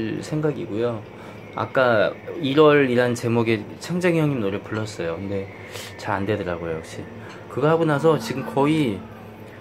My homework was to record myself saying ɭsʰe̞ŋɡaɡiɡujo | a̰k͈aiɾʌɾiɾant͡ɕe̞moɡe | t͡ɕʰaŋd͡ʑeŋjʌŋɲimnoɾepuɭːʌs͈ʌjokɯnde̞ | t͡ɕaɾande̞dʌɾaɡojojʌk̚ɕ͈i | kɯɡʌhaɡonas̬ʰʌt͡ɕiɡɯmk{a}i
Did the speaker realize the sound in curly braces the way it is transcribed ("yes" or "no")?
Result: no